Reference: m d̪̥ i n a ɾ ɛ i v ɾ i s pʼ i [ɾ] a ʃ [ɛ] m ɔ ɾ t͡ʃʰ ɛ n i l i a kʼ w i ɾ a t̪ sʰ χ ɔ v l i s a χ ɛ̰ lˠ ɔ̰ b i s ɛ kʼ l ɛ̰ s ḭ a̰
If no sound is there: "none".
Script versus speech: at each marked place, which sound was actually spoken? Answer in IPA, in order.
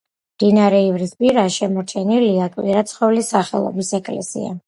ɾ, ɛ

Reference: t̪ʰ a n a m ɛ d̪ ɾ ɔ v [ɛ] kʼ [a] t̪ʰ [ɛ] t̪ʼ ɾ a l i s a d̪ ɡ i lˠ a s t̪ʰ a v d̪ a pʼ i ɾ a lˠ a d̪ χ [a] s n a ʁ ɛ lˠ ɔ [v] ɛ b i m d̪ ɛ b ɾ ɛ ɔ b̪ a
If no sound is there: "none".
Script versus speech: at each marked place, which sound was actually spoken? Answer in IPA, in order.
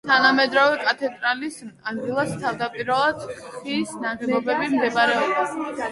ɛ, a, ɛ, i, b

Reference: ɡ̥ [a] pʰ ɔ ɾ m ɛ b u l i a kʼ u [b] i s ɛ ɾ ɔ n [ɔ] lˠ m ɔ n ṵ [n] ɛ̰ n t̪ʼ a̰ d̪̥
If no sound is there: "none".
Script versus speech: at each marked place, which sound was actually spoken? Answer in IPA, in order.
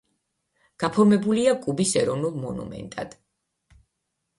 a, b, u, m

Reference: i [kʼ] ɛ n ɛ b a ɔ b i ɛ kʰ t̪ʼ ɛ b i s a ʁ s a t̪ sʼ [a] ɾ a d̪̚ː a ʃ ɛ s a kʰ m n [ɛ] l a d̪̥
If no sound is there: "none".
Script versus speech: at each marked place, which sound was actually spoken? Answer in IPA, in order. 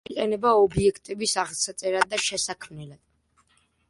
qʼ, ɛ, ɛ

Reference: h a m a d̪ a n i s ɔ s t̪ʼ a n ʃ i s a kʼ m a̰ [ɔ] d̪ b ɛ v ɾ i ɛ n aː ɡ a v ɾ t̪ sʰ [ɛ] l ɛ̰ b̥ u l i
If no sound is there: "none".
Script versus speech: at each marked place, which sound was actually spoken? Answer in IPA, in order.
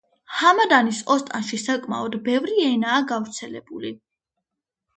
ɔ, ɛ

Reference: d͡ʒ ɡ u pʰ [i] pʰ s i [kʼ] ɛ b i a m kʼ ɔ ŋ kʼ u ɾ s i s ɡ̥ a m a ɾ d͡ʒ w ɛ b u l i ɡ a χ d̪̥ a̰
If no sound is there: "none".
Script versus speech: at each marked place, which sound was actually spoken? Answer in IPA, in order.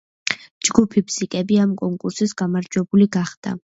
i, kʼ

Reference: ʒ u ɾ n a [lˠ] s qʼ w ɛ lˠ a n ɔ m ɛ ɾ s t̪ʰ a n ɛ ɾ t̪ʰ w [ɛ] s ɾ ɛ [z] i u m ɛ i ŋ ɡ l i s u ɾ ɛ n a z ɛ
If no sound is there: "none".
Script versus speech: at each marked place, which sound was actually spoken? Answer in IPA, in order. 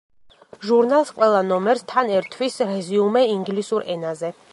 lˠ, i, z

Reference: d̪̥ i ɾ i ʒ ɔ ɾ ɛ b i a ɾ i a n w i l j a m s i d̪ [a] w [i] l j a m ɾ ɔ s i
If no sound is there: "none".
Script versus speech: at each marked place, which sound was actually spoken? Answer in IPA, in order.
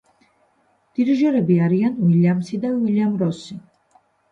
a, i

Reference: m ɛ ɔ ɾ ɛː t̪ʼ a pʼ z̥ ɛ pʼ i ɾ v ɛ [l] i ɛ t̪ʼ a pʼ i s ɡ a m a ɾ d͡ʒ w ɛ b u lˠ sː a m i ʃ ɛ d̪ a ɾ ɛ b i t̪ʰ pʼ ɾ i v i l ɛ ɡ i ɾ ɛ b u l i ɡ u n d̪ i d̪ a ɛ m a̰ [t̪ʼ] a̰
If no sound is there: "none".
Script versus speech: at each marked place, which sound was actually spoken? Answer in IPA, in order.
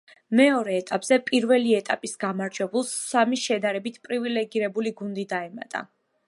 l, t̪ʼ

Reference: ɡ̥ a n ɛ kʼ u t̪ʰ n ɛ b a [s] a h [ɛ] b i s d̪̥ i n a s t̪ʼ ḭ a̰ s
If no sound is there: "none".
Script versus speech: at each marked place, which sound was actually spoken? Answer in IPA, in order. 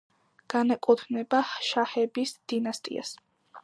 ʃ, ɛ

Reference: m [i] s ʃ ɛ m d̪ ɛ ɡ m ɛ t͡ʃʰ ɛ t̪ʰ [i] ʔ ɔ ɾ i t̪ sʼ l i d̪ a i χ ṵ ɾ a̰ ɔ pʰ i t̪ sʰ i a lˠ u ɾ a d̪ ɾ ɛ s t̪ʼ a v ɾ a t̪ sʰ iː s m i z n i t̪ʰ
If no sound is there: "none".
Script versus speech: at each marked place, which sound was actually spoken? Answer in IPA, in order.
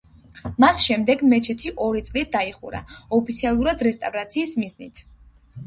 a, i

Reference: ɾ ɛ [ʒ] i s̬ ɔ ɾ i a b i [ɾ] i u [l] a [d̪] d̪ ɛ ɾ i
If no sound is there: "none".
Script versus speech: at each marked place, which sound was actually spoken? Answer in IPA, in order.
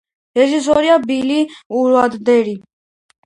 ʒ, l, ɾ, d̪

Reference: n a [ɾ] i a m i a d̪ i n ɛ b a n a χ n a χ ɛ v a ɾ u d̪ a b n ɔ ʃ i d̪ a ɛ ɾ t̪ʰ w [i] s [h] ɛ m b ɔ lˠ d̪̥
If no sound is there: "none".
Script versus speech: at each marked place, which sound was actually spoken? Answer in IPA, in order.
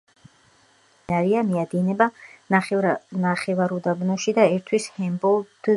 ɾ, i, h

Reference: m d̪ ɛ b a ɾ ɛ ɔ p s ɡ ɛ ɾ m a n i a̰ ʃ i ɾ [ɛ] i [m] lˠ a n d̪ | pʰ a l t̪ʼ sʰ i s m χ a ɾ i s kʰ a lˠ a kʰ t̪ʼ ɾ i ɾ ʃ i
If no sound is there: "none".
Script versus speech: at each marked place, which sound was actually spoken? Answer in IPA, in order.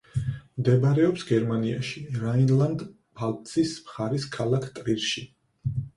a, n

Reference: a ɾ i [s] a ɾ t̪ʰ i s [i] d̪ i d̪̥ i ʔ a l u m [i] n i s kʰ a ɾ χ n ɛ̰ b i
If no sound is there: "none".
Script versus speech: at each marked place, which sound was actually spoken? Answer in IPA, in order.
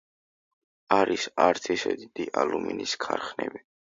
s, ɛ, i

